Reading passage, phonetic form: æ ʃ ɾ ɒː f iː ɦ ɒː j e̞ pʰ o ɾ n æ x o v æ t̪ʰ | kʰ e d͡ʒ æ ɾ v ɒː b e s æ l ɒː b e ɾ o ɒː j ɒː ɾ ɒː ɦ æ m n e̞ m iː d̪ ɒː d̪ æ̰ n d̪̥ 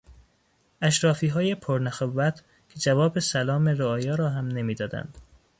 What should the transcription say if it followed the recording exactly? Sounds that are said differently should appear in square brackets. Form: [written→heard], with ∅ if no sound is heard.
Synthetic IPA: æ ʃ ɾ ɒː f iː ɦ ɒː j e̞ pʰ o ɾ n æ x o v æ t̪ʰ | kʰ e d͡ʒ æ [ɾ→∅] v ɒː b e s æ l ɒː [b→m] e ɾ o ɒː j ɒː ɾ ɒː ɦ æ m n e̞ m iː d̪ ɒː d̪ æ̰ n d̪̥